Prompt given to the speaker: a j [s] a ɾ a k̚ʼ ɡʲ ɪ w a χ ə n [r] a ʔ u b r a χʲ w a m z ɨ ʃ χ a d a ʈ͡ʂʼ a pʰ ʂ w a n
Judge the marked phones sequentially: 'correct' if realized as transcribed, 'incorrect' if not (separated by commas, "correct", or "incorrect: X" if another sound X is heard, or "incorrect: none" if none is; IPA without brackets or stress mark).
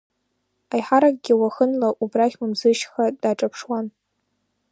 incorrect: ħ, incorrect: l